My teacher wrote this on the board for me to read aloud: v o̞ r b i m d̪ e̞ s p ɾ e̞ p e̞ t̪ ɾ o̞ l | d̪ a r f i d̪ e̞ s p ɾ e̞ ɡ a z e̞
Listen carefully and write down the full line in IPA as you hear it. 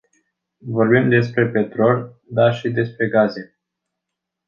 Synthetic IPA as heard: v o̞ r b i m d̪ e̞ s p ɾ e̞ p e̞ t̪ ɾ o̞ l | d̪ a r ʃ i d̪ e̞ s p ɾ e̞ ɡ a z e̞